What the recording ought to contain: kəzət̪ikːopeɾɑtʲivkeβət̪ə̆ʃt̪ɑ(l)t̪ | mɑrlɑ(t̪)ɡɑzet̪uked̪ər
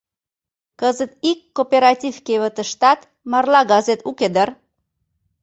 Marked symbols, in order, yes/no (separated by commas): no, no